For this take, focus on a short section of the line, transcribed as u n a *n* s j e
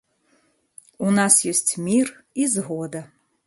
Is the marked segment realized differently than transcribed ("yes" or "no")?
yes